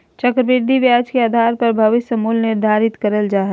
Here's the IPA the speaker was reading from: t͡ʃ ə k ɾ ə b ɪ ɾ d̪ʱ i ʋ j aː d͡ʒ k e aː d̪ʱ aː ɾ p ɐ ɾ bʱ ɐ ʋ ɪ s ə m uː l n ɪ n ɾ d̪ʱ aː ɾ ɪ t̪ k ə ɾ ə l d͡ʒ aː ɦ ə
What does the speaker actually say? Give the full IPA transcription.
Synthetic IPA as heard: t͡ʃ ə k ɾ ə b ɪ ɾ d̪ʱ i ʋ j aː d͡ʒ k e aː d̪ʱ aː ɾ p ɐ ɾ bʱ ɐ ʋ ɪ s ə m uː l n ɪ ɾ d̪ʱ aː ɾ ɪ t̪ k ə ɾ ə l d͡ʒ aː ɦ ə